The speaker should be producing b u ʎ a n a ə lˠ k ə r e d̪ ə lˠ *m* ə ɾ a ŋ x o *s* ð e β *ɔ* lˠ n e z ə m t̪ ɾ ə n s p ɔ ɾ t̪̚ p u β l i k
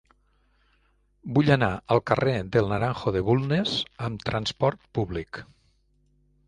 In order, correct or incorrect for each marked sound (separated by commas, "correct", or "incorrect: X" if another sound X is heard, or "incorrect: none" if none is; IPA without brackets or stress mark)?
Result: incorrect: n, incorrect: none, incorrect: u